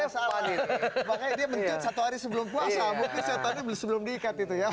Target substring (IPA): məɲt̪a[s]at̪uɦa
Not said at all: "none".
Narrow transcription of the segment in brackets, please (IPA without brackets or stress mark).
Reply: s